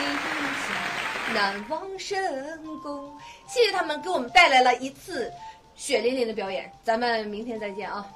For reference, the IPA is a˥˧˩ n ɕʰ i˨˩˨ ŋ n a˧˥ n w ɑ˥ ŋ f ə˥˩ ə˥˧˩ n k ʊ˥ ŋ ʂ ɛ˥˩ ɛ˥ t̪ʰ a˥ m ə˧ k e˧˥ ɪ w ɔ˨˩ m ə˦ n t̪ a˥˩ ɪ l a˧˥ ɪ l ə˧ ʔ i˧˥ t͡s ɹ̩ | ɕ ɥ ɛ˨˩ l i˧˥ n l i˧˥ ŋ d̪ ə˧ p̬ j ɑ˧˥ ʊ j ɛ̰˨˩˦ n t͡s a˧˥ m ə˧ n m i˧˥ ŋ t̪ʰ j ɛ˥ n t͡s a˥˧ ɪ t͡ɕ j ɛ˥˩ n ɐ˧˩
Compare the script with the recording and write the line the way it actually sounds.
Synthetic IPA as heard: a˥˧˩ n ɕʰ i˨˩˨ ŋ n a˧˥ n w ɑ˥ ŋ ʂ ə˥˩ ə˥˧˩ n k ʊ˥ ŋ ɕ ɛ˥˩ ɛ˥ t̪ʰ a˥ m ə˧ k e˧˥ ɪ w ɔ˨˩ m ə˦ n t̪ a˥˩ ɪ l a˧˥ ɪ l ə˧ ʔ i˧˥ t͡sʰ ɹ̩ | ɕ ɥ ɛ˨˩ l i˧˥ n l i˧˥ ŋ d̪ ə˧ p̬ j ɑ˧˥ ʊ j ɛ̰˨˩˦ n t͡s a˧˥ m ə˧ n m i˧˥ ŋ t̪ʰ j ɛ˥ n t͡s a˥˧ ɪ t͡ɕ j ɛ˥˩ n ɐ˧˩